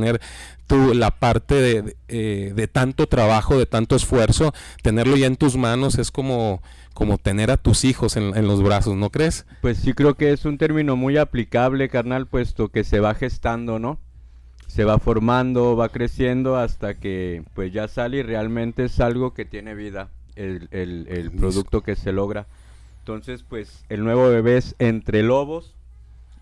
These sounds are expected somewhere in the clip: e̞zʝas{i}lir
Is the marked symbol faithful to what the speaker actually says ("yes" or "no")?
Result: no